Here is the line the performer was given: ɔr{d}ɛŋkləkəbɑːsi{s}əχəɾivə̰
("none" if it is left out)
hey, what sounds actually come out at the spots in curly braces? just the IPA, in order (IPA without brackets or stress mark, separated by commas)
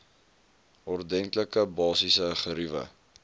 d, s